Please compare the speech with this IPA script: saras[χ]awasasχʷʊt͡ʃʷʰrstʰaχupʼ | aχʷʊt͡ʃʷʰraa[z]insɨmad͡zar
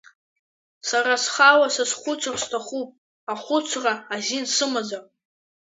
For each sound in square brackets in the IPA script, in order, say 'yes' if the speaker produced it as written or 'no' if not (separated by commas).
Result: yes, yes